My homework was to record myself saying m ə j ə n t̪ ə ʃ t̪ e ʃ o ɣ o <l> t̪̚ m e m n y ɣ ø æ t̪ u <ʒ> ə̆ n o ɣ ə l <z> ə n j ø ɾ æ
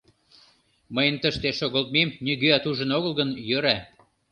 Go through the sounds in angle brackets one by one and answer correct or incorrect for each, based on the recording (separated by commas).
correct, correct, incorrect